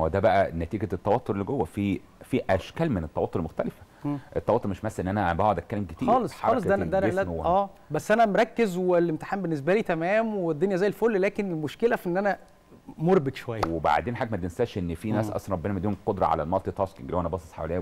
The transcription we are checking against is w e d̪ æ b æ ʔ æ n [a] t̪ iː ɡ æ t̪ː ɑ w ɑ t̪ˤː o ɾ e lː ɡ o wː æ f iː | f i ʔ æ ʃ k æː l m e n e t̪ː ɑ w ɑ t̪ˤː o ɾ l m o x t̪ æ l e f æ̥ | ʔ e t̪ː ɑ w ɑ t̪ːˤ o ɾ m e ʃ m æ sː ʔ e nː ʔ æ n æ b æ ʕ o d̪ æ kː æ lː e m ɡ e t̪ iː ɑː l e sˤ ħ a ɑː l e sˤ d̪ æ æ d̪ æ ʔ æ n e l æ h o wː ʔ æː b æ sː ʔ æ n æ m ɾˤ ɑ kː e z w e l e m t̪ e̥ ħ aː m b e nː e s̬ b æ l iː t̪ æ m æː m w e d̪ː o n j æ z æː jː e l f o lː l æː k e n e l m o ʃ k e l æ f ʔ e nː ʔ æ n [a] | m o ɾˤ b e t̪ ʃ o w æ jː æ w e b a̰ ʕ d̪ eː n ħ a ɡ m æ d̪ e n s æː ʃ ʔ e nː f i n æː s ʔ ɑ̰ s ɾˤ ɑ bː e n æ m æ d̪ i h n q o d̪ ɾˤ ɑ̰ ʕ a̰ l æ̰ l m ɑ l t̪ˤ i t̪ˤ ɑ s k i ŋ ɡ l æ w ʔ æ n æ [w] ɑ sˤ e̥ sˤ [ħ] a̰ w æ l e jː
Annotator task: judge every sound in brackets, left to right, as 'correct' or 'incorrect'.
incorrect: æ, incorrect: æ, incorrect: b, correct

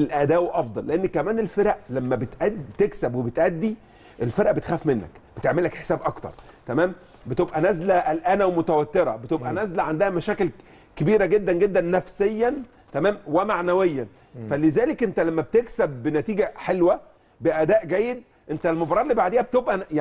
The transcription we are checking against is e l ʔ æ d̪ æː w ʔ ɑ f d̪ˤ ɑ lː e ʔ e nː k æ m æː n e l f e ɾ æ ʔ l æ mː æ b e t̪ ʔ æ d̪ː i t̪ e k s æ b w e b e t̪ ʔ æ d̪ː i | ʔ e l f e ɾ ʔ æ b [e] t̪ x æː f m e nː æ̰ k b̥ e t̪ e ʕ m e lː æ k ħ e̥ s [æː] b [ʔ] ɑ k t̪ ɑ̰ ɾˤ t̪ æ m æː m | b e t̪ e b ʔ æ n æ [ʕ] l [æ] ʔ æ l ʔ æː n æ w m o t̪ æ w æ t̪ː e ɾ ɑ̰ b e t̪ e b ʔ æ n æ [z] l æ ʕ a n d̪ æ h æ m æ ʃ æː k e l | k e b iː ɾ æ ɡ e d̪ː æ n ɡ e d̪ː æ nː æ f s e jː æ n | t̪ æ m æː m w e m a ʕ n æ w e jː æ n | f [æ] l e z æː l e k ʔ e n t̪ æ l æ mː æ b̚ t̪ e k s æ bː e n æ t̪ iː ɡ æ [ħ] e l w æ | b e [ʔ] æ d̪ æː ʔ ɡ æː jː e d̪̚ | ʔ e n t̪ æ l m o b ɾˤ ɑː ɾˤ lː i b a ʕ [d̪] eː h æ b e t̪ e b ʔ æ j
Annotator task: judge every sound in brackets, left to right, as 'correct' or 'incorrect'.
correct, correct, correct, incorrect: z, correct, correct, correct, correct, correct, correct

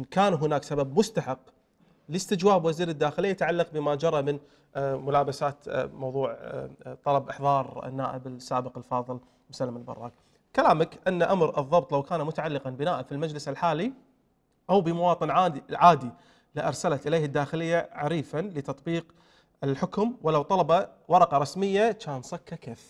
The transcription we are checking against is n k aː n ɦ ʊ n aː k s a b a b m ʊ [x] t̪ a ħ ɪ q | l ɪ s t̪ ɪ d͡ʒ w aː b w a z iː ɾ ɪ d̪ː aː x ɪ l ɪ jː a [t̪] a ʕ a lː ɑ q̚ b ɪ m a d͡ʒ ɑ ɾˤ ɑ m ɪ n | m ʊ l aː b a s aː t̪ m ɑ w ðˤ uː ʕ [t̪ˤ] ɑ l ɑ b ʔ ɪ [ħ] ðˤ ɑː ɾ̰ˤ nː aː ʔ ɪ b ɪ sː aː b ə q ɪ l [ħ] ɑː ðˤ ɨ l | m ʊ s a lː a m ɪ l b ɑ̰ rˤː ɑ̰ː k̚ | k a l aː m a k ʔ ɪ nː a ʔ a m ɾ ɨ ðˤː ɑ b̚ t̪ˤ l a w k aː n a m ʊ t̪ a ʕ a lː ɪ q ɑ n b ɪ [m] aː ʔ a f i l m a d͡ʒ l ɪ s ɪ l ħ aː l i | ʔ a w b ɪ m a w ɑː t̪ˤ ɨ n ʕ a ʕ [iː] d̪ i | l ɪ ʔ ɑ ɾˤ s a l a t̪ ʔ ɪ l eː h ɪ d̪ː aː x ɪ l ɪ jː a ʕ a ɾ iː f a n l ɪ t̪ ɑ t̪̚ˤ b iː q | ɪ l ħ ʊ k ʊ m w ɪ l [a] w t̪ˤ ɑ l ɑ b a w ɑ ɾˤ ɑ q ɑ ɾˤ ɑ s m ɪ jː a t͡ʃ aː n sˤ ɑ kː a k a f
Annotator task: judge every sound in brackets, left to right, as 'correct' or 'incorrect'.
incorrect: s, correct, correct, correct, incorrect: f, incorrect: n, incorrect: aː, correct

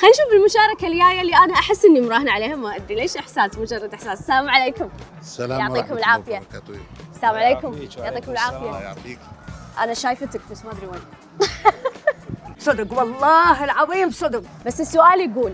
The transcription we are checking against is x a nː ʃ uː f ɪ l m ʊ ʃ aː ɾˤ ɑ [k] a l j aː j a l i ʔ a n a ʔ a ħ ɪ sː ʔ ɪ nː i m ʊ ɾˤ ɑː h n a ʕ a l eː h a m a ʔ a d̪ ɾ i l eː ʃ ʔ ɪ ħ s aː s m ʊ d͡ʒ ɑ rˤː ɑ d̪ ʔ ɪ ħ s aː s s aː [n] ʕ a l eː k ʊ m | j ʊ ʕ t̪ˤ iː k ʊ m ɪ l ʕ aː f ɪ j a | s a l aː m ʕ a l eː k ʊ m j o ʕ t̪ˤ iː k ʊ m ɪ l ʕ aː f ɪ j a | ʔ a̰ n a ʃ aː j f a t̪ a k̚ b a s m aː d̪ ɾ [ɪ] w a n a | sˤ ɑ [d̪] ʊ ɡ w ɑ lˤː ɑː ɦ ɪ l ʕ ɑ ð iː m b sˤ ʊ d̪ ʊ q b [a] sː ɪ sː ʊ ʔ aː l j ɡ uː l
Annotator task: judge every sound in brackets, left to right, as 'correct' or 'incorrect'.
correct, incorrect: m, incorrect: i, correct, correct

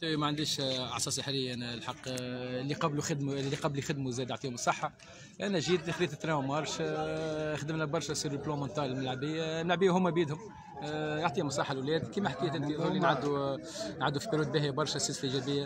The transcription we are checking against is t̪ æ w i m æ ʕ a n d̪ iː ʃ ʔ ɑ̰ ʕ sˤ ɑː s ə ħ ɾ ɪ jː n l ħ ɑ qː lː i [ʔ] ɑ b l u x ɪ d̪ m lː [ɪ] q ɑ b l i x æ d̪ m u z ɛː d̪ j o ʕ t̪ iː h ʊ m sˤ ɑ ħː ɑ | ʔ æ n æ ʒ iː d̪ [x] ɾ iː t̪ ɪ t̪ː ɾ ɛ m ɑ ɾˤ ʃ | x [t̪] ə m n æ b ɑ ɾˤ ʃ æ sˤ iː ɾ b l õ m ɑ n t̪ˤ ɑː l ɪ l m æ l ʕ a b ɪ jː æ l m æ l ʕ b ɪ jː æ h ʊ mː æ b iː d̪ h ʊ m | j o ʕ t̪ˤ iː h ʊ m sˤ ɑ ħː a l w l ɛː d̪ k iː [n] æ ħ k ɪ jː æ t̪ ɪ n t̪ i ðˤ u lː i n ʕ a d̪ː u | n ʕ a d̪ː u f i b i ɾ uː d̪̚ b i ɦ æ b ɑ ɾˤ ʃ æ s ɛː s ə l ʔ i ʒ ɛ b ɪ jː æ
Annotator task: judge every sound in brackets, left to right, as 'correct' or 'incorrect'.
incorrect: q, incorrect: i, correct, incorrect: d̪, incorrect: m

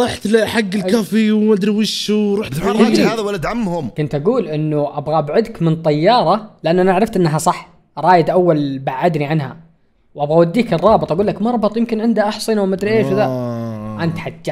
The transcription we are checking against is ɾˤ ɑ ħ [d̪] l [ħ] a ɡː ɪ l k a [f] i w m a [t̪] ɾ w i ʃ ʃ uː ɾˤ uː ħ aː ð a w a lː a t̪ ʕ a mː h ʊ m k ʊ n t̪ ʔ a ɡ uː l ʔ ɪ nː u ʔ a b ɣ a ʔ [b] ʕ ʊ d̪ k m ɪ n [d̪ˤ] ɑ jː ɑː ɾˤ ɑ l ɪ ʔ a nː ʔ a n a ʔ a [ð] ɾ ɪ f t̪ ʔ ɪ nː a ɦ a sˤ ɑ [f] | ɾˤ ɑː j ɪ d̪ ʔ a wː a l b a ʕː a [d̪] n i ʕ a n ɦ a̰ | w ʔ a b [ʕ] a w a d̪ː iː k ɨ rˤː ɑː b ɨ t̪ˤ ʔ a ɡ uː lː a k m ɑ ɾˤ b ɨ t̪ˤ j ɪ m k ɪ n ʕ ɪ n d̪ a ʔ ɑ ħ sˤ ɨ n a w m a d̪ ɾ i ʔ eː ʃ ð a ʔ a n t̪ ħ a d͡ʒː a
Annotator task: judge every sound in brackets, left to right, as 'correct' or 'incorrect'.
incorrect: t̪, correct, correct, incorrect: d̪, correct, incorrect: t̪ˤ, incorrect: ʕ, incorrect: ħ, correct, incorrect: ɣ

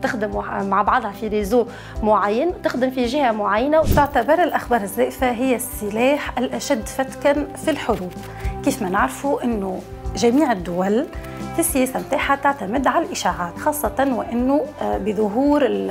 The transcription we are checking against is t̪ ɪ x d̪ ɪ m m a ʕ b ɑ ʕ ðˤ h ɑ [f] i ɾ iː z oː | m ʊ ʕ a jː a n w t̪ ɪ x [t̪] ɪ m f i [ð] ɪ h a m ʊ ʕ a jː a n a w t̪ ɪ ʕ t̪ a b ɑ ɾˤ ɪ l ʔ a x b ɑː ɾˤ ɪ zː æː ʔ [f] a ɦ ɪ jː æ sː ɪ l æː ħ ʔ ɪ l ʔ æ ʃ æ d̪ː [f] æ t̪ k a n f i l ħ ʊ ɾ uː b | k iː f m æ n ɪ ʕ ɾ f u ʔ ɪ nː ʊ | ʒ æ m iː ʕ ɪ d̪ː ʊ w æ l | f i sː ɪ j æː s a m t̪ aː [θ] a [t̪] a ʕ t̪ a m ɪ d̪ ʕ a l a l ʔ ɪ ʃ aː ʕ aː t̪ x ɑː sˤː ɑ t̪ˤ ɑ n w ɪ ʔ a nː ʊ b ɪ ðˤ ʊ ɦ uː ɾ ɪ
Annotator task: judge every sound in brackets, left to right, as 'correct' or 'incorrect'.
correct, incorrect: d̪, incorrect: ʒ, correct, correct, incorrect: ħ, correct

